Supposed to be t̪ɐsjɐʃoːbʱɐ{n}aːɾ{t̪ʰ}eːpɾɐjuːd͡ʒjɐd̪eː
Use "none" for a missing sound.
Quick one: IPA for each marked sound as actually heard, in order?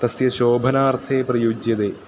n, t̪ʰ

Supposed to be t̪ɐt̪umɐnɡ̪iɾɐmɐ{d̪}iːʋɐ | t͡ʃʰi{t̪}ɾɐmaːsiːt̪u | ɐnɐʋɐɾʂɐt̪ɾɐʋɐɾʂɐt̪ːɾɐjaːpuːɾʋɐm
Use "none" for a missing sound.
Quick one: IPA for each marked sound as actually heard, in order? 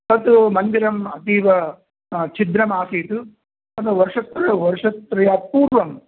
t̪, d̪

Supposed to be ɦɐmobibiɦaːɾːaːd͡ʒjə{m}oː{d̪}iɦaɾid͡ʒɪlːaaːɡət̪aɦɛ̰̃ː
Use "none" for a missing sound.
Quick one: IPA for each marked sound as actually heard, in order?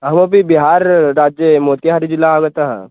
m, t̪

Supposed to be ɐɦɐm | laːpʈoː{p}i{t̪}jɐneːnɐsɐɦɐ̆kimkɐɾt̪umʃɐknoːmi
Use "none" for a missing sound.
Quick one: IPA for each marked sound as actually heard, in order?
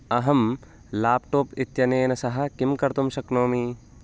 p, t̪

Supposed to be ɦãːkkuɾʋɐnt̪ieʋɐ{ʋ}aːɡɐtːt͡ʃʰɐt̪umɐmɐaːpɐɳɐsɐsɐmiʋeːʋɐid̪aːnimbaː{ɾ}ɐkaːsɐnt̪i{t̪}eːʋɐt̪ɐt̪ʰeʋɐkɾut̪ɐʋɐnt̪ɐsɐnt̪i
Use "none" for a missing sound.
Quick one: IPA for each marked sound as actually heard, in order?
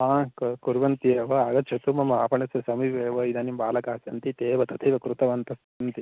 none, l, t̪

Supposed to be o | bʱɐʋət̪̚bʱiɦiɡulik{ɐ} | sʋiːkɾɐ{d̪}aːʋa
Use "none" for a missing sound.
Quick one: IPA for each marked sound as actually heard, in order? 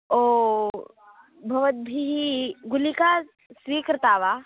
a, t̪

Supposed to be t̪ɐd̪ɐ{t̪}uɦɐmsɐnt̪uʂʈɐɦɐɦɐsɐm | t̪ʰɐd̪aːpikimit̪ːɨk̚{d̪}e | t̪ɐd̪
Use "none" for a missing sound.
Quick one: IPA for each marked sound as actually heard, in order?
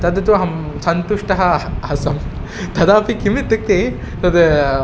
t̪, t̪

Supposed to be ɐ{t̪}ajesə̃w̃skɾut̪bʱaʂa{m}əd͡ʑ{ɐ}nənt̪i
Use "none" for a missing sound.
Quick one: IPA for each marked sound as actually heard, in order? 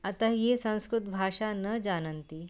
t̪, n, a

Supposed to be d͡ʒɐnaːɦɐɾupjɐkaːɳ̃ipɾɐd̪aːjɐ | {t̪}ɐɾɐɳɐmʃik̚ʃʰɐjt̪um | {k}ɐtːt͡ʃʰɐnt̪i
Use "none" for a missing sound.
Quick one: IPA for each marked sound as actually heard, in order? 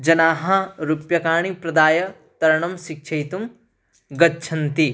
t̪, ɡ

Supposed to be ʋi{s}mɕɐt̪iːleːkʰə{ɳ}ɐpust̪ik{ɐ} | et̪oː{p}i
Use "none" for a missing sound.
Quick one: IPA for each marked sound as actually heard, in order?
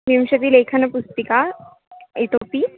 none, n, a, p

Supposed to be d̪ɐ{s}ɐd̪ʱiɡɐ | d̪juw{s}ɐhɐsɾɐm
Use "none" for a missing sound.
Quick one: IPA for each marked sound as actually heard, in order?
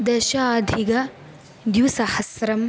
ʃ, s

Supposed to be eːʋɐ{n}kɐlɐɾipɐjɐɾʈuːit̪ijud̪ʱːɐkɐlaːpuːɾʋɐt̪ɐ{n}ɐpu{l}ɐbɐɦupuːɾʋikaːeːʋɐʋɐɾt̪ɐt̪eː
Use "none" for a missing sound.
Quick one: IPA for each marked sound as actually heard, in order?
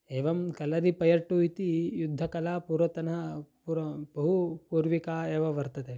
m, n, ɾ

